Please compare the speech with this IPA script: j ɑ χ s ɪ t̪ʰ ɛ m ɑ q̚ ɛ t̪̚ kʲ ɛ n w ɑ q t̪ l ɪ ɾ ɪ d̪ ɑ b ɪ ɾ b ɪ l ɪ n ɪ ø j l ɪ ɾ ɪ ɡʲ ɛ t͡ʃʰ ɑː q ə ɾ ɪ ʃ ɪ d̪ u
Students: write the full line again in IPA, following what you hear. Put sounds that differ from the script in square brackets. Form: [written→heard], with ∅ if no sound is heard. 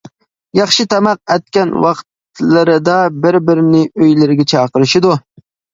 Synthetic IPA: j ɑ χ [s→ʃ] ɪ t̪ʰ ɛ m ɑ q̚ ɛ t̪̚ kʲ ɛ n w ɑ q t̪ l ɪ ɾ ɪ d̪ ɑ b ɪ ɾ b ɪ [l→ɾ] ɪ n ɪ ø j l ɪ ɾ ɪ ɡʲ ɛ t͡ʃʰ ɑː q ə ɾ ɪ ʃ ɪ d̪ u